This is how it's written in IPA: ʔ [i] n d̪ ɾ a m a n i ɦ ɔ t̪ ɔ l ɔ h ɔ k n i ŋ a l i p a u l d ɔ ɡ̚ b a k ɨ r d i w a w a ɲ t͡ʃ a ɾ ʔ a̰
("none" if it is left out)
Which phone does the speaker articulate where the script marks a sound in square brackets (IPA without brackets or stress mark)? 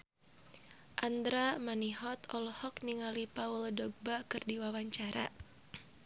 a